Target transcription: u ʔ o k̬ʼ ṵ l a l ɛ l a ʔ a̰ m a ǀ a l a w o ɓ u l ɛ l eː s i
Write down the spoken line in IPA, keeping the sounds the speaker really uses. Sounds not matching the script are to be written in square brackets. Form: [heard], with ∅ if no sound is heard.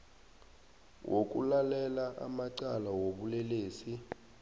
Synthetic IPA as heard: [w] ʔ o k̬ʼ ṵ l a l ɛ l a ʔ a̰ m a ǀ a l a w o ɓ u l ɛ l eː s i